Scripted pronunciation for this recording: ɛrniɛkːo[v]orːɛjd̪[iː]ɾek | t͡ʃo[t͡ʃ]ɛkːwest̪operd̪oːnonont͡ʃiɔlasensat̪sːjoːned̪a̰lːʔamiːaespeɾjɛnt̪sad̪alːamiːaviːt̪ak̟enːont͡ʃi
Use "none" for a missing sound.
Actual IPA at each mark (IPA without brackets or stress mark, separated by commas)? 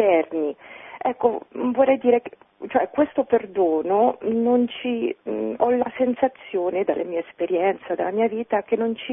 v, iː, none